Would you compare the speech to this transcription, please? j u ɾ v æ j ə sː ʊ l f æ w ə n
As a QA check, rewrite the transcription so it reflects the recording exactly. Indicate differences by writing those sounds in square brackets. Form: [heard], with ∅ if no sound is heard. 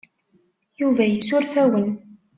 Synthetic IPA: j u [∅] v æ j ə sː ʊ [ɾ] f æ w ə n